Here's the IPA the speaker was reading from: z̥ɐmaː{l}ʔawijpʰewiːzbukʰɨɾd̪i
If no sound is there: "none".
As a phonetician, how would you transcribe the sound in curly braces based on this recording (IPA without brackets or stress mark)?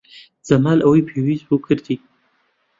l